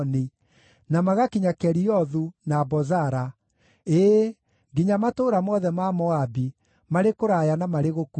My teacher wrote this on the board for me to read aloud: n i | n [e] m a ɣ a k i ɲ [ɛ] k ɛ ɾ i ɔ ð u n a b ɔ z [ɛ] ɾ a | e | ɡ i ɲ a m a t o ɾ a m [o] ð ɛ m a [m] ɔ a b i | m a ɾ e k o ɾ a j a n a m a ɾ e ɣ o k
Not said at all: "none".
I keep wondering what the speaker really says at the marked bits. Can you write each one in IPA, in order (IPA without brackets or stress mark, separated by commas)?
a, a, a, ɔ, m